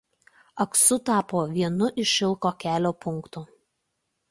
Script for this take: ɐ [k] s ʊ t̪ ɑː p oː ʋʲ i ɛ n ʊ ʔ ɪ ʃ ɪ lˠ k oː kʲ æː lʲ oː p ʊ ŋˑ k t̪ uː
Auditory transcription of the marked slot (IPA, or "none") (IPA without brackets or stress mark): k